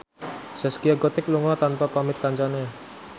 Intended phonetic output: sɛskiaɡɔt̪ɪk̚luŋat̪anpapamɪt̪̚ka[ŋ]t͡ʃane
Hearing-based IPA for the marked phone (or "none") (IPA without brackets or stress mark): ɲ